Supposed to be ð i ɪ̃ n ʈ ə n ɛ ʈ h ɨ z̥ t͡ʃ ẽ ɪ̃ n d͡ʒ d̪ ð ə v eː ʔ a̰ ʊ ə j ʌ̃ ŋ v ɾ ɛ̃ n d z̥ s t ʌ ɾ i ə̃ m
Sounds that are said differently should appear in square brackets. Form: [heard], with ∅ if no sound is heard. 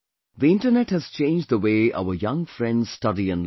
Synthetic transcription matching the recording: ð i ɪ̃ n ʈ ə n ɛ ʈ h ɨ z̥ t͡ʃ ẽ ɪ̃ n d͡ʒ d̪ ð ə [w] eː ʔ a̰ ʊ ə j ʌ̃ ŋ [f] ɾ ɛ̃ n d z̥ s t ʌ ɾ i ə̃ [n]